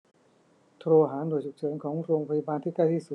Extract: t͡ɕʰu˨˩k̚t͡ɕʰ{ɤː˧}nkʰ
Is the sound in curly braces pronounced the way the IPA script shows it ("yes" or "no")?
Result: no